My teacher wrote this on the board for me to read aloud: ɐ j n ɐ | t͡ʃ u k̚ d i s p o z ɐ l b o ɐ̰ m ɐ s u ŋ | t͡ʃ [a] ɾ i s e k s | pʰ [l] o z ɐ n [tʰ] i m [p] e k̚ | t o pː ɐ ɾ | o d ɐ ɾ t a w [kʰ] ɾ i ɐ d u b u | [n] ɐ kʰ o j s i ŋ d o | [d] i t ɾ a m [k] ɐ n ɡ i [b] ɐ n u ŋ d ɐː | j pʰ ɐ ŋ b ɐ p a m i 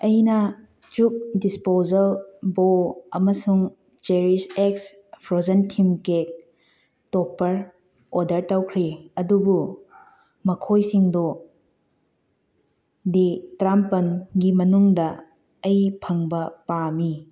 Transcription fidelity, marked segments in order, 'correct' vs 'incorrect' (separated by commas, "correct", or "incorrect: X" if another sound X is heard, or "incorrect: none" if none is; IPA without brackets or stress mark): incorrect: e, incorrect: ɾ, correct, incorrect: k, correct, incorrect: m, correct, incorrect: p, incorrect: m